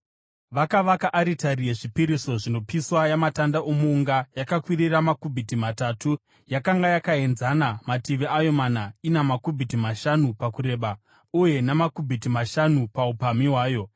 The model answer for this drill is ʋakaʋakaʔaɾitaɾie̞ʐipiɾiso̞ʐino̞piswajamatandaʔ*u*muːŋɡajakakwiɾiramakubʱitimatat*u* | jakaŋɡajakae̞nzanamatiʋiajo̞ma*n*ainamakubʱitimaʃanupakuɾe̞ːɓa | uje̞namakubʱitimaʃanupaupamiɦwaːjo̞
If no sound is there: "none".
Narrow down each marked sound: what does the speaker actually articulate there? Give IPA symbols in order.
o, u, n

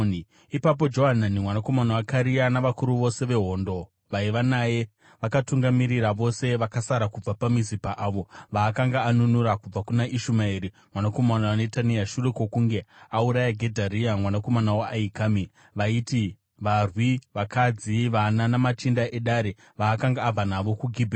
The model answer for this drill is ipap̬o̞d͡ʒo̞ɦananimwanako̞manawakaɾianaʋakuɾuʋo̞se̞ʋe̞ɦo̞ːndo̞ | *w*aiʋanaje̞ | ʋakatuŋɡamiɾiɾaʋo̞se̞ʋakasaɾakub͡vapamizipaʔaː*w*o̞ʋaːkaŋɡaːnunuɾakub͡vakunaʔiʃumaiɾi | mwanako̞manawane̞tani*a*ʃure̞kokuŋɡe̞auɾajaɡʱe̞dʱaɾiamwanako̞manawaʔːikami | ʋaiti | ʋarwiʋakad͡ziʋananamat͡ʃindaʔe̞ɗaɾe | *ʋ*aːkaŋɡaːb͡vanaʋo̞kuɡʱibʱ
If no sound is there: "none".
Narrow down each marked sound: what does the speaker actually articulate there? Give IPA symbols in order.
ʋ, ʋ, a, ʋ

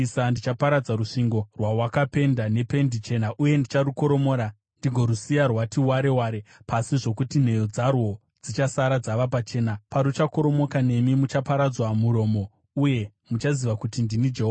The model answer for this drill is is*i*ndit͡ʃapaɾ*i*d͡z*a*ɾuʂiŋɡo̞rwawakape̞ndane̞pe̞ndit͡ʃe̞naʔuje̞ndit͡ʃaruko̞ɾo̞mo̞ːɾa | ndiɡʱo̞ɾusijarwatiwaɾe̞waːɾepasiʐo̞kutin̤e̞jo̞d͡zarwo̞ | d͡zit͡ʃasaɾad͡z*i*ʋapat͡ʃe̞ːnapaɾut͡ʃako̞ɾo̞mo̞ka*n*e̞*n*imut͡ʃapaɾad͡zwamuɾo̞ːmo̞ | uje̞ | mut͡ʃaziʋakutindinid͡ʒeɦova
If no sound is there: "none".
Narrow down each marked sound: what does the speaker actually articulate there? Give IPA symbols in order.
a, a, a, a, n, m

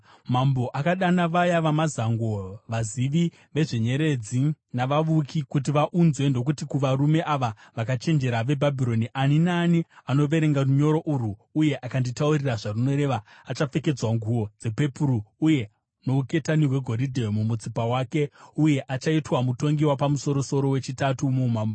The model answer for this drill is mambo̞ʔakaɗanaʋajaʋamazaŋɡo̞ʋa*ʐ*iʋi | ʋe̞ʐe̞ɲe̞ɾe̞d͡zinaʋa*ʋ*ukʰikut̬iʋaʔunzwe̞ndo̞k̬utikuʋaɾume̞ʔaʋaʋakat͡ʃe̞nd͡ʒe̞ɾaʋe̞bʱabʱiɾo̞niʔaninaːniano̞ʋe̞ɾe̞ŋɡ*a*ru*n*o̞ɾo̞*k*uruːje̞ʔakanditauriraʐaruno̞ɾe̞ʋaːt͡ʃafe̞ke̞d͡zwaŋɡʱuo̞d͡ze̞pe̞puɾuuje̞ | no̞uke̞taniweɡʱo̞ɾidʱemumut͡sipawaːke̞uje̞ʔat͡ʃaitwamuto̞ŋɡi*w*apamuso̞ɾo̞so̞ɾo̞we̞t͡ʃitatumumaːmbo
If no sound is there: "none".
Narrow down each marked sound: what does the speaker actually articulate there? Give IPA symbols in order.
z, ʋ, a, ɲ, ʔ, w

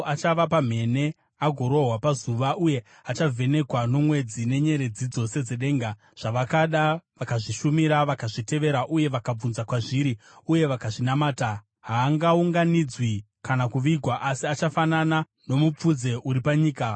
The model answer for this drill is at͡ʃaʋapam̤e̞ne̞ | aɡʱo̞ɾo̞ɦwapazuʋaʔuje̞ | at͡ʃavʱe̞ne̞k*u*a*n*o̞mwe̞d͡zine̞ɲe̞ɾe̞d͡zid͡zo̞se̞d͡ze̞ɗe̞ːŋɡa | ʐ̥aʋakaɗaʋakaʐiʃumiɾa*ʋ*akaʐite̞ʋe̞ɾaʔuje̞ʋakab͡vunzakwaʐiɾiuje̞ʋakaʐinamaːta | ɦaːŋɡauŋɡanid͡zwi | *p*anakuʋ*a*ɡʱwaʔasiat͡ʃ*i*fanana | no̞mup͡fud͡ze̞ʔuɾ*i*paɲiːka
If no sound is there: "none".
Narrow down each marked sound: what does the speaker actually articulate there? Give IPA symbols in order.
w, n, ʋ, k, i, a, i

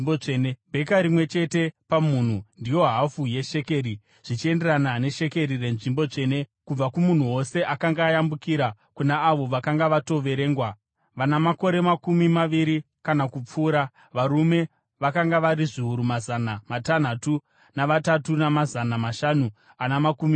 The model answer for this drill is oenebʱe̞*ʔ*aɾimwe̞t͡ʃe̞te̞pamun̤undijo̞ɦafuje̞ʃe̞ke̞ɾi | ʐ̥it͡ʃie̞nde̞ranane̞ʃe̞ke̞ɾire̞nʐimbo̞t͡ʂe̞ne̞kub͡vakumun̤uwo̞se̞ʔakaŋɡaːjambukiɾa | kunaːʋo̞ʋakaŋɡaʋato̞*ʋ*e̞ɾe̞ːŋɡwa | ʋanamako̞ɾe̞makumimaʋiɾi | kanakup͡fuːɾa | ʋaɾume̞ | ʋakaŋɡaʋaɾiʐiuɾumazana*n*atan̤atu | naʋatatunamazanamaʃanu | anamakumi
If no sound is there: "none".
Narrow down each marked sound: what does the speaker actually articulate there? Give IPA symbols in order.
k, ʋ, m

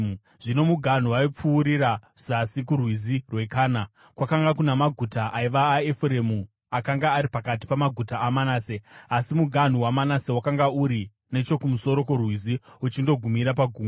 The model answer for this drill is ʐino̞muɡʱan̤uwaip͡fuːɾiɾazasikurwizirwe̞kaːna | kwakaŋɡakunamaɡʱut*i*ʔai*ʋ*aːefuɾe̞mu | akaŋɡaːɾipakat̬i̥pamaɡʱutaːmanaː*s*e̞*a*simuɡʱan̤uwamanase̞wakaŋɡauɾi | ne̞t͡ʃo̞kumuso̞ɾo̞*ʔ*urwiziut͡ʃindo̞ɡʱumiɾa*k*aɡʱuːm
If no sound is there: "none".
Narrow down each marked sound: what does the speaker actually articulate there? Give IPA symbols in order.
a, ʋ, s, a, k, p

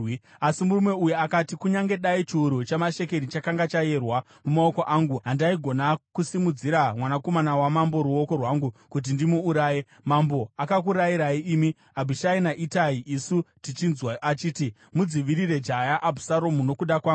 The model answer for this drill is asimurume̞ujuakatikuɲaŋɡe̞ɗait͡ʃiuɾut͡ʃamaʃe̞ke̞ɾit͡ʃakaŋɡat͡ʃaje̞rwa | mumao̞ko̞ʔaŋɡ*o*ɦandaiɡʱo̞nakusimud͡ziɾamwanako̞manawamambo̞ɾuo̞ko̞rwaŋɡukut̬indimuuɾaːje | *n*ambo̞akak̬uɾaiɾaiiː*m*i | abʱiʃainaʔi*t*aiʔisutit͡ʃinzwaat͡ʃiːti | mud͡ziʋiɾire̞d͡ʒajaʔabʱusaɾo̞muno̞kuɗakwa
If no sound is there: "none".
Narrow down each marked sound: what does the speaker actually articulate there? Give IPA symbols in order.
u, m, m, t

